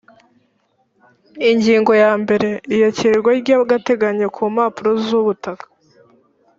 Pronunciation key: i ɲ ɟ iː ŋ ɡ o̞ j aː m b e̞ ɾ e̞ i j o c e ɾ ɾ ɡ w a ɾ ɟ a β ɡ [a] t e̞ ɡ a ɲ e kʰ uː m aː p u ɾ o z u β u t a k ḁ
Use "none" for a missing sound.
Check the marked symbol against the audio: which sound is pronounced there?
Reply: a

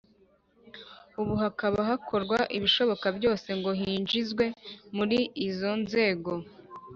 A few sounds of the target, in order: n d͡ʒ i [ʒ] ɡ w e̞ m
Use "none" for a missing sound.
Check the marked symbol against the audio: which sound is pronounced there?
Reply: z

